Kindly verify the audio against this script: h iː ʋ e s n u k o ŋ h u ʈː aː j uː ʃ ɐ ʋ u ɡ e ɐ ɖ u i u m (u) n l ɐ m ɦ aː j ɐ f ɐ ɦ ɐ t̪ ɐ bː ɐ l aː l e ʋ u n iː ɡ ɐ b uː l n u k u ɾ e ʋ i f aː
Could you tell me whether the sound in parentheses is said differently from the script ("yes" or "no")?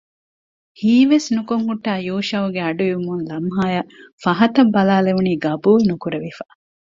no